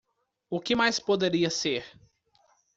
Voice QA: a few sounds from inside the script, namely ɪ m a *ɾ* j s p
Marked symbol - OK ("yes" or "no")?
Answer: no